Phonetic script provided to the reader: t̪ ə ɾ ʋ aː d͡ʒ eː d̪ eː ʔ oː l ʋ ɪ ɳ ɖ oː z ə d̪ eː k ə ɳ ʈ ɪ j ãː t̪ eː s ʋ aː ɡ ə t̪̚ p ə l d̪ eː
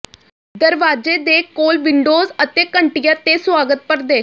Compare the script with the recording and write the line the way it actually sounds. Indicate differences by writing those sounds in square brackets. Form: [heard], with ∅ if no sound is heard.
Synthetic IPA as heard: [d̪] ə ɾ ʋ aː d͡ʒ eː d̪ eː [k] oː l ʋ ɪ ɳ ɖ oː z ə [t̪] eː k ə ɳ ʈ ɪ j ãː t̪ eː s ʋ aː ɡ ə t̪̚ p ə [ɾ] d̪ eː